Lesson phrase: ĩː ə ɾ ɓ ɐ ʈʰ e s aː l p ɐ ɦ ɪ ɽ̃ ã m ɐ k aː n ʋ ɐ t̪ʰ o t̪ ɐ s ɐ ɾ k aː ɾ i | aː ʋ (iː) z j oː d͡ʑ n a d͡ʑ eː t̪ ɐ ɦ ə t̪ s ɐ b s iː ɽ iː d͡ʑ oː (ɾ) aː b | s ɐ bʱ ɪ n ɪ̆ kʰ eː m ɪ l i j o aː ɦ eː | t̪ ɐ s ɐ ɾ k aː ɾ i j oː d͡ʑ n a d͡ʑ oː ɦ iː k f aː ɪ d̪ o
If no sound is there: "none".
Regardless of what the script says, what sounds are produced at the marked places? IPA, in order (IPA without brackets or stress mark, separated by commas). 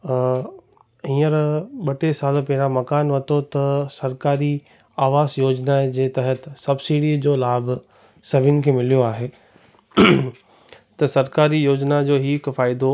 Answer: aː, l